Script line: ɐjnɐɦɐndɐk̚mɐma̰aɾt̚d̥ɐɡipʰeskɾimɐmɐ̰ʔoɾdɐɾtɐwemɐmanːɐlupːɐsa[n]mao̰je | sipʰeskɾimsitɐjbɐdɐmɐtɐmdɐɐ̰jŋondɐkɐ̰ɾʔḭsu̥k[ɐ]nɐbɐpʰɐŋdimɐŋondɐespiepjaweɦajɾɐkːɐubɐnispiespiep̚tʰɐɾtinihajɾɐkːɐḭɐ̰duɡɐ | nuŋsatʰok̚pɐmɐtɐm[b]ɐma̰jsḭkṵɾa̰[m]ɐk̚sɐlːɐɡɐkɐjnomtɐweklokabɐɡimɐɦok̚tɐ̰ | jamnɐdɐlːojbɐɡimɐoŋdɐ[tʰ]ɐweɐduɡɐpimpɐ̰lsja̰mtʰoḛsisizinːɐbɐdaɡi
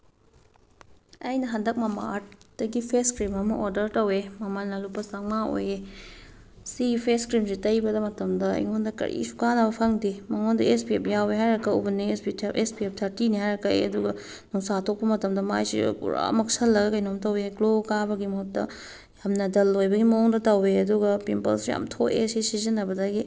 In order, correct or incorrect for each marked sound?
incorrect: ŋ, incorrect: a, incorrect: d, correct, incorrect: t

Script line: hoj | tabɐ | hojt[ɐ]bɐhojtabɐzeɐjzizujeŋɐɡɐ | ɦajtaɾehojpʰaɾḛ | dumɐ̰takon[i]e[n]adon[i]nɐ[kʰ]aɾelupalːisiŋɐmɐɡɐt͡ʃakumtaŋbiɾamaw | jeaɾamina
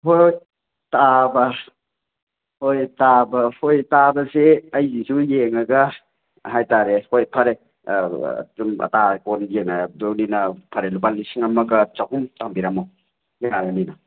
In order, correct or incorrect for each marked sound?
incorrect: a, incorrect: j, incorrect: ŋ, correct, incorrect: pʰ

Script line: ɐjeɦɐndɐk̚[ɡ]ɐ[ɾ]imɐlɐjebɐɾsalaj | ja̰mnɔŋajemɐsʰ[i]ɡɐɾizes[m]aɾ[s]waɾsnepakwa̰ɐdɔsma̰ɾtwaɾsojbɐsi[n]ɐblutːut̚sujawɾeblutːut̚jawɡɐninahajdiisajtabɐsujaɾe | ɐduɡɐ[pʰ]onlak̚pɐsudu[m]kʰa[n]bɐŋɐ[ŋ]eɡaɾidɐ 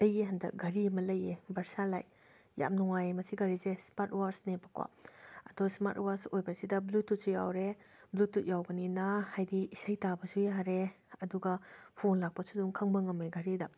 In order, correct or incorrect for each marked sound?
correct, correct, correct, correct, incorrect: t, incorrect: d, correct, incorrect: ŋ, incorrect: ŋ, incorrect: m

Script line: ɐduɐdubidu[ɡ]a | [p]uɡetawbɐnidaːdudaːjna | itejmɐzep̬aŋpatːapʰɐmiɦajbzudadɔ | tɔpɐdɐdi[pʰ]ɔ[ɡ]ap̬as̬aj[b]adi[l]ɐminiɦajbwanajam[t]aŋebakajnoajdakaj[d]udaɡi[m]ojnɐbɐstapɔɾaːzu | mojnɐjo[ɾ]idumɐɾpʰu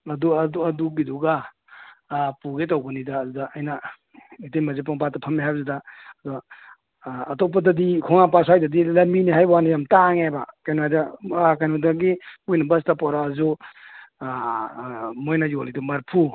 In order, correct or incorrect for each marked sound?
correct, correct, incorrect: kʰ, incorrect: ŋ, incorrect: d, correct, correct, incorrect: n, correct, incorrect: l

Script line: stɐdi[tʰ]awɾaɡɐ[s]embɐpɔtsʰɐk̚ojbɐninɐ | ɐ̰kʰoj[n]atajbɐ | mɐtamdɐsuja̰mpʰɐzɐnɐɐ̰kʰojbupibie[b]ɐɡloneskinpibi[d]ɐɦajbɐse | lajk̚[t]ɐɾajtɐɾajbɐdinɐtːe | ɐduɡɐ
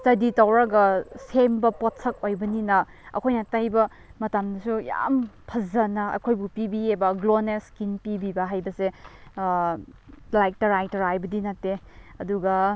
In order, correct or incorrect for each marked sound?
incorrect: t, correct, correct, correct, incorrect: b, correct

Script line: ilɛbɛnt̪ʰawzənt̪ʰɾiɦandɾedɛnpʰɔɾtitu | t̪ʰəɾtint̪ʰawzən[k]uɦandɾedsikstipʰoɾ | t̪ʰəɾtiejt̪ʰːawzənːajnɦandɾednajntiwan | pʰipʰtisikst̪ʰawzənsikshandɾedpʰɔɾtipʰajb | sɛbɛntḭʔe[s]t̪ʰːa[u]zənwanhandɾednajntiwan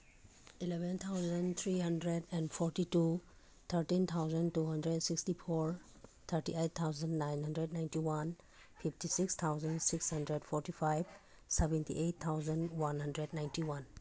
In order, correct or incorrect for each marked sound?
incorrect: t, incorrect: t, incorrect: w

